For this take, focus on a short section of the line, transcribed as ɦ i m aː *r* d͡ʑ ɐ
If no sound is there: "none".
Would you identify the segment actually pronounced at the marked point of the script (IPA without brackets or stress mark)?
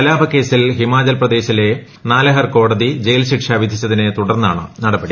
none